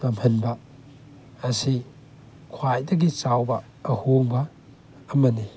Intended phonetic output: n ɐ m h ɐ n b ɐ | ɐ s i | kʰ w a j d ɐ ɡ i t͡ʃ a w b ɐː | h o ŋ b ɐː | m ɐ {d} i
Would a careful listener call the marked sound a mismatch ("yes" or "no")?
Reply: yes